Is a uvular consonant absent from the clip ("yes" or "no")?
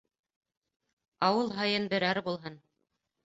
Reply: yes